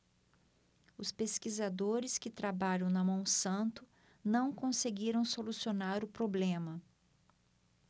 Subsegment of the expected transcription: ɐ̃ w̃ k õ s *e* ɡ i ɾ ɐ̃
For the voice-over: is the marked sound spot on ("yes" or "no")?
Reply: yes